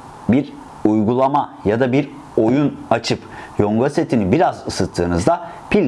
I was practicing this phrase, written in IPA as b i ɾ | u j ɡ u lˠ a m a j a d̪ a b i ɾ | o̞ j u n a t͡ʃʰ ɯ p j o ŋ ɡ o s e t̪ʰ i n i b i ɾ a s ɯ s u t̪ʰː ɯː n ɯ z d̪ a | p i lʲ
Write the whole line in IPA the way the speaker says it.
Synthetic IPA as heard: b i ɾ | u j ɡ u lˠ a m a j a d̪ a b i ɾ | o̞ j u n a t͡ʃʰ ɯ p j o ŋ ɡ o s e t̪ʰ i n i b i ɾ a z ɯ s ɯ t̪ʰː ɯː n ɯ z d̪ a | p i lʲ